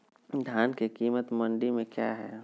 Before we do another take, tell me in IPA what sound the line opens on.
d̪ʱ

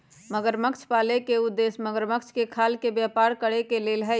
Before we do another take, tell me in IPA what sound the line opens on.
m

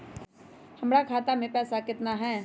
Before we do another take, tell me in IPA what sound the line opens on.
h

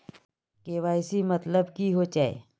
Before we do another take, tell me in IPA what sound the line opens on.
k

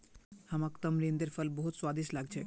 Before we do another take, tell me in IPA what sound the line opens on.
h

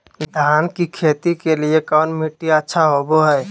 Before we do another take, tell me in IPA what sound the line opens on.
d̪ʱ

